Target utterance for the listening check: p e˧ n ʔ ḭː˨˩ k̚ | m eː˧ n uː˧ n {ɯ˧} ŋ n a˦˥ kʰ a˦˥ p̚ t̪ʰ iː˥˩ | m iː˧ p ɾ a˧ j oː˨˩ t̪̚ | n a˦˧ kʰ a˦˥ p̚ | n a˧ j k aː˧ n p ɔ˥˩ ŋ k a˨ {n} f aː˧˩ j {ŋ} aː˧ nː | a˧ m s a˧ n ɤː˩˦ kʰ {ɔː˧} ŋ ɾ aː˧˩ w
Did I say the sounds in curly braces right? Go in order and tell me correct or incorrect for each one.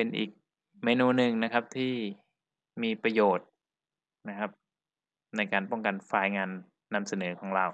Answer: correct, correct, correct, incorrect: ɔː˩˦

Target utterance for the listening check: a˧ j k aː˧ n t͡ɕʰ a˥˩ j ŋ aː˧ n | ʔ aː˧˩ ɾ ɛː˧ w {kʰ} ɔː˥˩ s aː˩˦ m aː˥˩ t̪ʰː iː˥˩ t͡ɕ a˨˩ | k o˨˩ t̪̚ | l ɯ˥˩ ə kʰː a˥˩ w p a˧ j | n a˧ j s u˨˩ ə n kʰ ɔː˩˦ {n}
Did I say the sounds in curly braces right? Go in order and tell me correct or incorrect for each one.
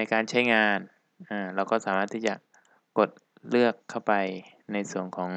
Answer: incorrect: k, incorrect: ŋ

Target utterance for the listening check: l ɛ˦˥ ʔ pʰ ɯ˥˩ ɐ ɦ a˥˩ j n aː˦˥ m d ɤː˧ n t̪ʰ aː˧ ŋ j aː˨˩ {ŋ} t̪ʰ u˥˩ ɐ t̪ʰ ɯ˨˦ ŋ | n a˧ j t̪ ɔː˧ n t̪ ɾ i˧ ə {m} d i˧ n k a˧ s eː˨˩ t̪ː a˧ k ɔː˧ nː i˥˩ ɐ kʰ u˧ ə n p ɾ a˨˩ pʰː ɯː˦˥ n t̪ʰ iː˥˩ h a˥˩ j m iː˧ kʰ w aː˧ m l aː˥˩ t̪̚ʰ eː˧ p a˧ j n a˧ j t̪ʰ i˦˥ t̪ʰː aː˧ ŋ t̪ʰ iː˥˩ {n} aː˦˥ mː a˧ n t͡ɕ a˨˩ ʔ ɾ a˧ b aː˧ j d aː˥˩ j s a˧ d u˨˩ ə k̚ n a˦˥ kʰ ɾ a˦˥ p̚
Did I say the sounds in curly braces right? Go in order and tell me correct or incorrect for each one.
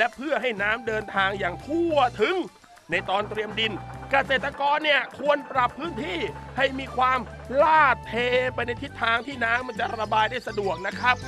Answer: correct, correct, correct

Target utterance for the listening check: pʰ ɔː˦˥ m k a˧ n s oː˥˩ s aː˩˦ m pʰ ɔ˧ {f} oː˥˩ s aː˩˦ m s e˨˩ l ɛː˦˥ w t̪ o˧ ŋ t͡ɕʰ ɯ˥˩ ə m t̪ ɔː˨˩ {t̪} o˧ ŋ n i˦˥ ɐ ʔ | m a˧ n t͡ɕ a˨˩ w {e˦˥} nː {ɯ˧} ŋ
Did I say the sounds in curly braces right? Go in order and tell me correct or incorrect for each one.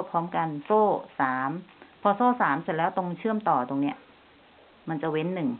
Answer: incorrect: s, correct, correct, incorrect: ɯ˨˩

